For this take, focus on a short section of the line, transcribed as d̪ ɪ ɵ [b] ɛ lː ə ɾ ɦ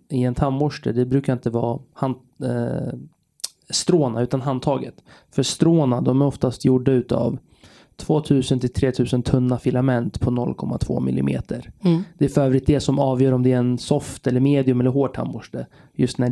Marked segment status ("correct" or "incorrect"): incorrect